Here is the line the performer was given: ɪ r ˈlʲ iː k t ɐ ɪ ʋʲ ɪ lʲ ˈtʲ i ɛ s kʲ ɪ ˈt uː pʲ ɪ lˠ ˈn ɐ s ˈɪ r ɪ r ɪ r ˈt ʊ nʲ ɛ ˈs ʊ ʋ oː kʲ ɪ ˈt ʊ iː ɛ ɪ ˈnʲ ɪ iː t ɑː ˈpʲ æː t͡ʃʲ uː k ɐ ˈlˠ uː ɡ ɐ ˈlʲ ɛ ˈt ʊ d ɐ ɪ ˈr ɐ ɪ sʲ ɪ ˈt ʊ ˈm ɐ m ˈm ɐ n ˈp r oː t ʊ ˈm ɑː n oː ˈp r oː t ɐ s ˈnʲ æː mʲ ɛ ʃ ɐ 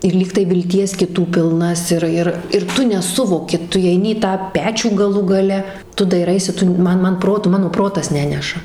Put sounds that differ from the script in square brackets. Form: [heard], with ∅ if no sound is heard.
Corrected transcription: ɪ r ˈlʲ iː k t ɐ ɪ ʋʲ ɪ lʲ ˈtʲ i ɛ s kʲ ɪ ˈt uː pʲ ɪ lˠ ˈn ɐ s ˈɪ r ɪ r ɪ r ˈt ʊ nʲ ɛ ˈs ʊ ʋ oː kʲ ɪ ˈt ʊ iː ɛ ɪ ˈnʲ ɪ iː t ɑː ˈpʲ æː t͡ʃʲ uː [ɡ] ɐ ˈlˠ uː ɡ ɐ ˈlʲ ɛ ˈt ʊ d ɐ ɪ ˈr ɐ ɪ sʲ ɪ ˈt ʊ ˈm ɐ [n] ˈm ɐ n ˈp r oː t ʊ ˈm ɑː n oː ˈp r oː t ɐ s ˈnʲ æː [nʲ] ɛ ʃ ɐ